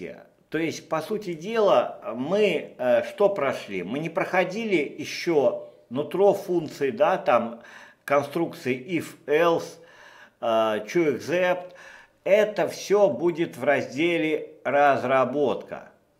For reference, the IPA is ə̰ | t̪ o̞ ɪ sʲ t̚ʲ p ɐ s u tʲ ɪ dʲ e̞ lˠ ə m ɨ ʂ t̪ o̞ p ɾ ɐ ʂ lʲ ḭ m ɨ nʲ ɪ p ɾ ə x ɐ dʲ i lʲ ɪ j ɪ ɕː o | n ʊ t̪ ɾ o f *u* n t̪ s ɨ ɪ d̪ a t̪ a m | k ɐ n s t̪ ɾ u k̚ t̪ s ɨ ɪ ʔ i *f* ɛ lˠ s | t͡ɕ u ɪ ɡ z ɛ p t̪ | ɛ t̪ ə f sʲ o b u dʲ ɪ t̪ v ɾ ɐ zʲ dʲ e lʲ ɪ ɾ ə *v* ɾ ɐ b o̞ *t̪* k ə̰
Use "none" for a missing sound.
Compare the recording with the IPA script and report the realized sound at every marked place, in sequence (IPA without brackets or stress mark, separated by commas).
u, f, z, t̪